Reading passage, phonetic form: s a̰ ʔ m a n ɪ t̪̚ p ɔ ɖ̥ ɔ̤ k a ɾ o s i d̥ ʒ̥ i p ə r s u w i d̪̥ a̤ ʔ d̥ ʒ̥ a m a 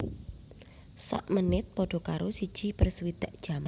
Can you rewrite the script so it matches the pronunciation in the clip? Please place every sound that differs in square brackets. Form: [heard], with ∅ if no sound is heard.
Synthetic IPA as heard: s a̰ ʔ m [ə] n ɪ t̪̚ p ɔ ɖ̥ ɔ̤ k a ɾ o s i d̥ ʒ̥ i p ə r s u w i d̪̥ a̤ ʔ d̥ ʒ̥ a m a